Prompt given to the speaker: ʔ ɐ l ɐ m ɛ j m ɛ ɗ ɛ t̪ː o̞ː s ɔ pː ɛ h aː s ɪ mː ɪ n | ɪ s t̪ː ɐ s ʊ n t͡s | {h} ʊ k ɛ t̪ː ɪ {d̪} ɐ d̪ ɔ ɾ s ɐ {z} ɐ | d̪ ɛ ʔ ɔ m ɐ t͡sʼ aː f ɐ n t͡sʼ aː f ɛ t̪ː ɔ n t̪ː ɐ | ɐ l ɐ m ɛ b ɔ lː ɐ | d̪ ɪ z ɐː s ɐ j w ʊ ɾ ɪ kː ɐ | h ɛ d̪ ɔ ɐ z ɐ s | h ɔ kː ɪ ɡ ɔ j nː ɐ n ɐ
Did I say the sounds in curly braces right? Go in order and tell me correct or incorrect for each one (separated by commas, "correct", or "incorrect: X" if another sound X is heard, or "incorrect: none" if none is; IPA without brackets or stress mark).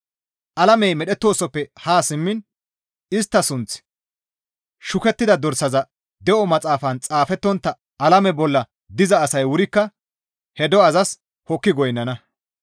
incorrect: ʃ, correct, correct